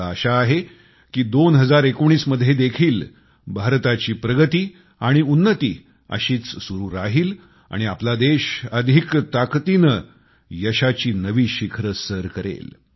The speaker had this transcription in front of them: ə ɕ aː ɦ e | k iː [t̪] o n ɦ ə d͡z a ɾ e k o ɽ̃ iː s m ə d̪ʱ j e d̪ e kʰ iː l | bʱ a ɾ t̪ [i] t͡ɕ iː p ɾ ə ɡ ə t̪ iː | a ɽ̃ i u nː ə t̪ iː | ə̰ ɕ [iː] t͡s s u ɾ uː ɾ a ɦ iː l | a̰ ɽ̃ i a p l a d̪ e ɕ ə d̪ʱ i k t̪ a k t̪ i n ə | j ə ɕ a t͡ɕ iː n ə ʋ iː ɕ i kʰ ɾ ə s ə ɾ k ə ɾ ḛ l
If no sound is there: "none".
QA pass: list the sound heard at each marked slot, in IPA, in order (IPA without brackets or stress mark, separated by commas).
d̪, a, iː